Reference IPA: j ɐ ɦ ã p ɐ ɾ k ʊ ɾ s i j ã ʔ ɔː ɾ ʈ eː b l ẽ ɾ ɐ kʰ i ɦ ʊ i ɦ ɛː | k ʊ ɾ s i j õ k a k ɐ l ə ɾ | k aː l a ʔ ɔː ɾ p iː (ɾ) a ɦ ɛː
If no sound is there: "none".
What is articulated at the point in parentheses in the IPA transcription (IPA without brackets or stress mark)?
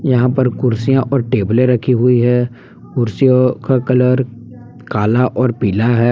l